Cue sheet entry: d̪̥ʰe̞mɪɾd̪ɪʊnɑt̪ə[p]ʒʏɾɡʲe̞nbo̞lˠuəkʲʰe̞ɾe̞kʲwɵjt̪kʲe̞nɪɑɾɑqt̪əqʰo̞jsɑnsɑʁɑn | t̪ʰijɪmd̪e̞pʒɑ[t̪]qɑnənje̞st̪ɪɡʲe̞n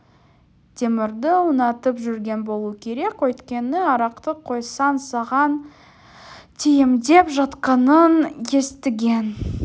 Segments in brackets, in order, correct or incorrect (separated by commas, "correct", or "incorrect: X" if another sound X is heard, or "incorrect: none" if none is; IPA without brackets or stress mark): correct, correct